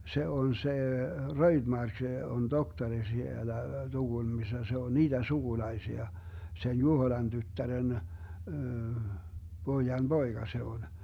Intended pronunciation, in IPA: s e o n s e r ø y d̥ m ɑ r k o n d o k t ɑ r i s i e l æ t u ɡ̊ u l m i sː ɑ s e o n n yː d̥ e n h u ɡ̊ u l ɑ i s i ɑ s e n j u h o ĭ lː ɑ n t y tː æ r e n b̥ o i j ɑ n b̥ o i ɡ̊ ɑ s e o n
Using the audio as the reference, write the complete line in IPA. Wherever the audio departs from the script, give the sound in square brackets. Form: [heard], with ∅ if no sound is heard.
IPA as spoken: s e o n s e r ø [i] d̥ m ɑ r k o n d o k t ɑ r i s i e l æ t u ɡ̊ u l m i sː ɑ s e o n n [iː] d̥ e n [s] u ɡ̊ u l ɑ i s i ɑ s e n j u h o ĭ [l] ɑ n t y tː æ r e n b̥ o i j ɑ n b̥ o i ɡ̊ ɑ s e o n